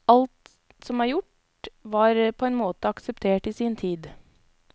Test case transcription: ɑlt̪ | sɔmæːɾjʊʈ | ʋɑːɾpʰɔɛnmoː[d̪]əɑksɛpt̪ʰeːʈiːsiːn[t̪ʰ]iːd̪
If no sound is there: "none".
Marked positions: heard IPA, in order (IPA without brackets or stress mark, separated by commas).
t̪, t̪ʰ